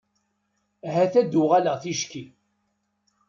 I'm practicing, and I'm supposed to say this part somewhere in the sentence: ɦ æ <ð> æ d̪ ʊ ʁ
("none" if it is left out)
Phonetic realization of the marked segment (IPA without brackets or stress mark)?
θ